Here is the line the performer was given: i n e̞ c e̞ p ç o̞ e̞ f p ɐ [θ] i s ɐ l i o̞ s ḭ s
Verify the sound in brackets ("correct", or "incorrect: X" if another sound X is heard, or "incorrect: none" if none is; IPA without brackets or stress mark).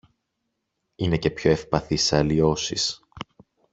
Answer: correct